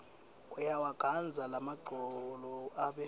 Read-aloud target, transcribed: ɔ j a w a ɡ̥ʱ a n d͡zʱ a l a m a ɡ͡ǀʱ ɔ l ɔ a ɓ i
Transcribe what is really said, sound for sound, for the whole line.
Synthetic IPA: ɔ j a w a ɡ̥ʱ a n d͡zʱ a l a m a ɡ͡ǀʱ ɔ l ɔ a ɓ ɛ